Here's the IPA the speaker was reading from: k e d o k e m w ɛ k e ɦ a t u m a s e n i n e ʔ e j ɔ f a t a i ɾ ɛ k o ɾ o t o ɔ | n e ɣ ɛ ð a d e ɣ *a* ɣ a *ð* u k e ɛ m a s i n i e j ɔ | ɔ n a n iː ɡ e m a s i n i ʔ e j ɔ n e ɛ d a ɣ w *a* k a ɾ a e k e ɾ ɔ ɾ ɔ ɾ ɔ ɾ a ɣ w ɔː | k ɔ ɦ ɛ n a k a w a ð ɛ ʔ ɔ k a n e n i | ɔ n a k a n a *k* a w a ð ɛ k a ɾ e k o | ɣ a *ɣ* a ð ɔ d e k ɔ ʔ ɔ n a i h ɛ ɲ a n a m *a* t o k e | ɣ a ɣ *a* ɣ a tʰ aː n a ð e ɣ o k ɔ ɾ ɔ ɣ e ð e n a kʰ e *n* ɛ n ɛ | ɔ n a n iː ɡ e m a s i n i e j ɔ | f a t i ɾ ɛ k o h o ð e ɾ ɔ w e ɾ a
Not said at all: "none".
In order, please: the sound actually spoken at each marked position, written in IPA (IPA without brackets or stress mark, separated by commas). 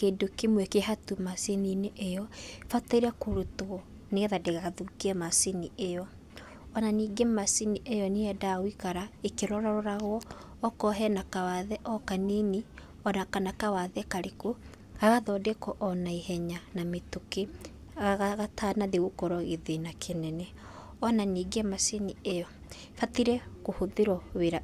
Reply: a, ð, i, k, ɣ, e, a, n